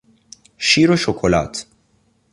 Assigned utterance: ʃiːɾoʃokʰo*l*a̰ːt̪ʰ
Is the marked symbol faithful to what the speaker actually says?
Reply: yes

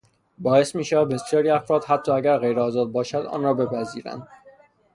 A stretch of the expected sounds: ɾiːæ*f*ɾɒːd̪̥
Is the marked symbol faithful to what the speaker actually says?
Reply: yes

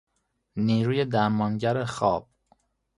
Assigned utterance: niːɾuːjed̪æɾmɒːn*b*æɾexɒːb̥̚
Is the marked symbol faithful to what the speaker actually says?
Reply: no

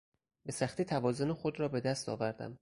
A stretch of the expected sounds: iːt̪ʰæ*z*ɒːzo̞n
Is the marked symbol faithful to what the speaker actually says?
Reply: no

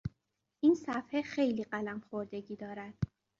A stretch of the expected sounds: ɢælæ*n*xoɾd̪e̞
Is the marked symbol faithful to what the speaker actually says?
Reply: no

